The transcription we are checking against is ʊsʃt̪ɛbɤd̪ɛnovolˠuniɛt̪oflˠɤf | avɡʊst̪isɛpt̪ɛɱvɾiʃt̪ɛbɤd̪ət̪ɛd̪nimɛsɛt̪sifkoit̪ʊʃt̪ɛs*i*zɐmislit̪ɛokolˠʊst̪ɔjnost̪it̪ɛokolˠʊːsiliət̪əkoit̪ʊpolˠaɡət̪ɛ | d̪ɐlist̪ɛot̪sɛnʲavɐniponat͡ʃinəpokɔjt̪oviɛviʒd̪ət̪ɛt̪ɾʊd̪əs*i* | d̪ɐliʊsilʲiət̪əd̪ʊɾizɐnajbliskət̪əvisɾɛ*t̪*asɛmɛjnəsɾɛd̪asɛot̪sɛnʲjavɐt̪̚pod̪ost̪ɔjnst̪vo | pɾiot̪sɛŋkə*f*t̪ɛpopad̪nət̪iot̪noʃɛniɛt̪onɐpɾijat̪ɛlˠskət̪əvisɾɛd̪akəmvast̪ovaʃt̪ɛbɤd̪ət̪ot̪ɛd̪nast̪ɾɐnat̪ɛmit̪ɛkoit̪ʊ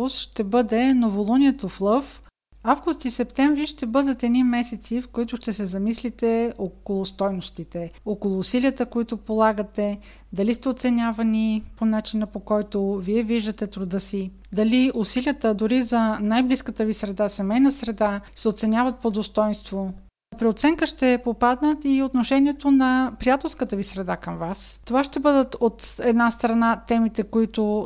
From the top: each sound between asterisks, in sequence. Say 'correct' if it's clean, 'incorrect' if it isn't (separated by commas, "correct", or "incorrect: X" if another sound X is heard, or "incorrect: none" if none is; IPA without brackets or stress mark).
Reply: incorrect: ɛ, correct, incorrect: d̪, incorrect: ʃ